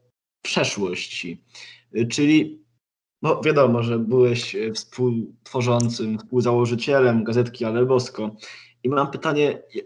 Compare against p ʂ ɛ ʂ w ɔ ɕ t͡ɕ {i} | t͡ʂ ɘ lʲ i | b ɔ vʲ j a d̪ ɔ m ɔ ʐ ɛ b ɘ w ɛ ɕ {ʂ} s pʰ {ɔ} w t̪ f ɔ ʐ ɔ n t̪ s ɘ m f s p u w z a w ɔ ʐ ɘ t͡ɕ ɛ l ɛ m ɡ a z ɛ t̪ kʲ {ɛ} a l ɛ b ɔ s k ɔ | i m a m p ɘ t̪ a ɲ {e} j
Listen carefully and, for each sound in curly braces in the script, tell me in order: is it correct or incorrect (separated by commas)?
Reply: correct, incorrect, incorrect, incorrect, incorrect